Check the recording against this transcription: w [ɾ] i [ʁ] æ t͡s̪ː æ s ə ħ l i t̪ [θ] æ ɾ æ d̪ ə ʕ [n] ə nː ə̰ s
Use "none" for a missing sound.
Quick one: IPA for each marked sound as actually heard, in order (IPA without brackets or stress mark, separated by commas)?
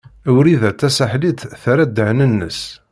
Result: ɾ, ð, θ, n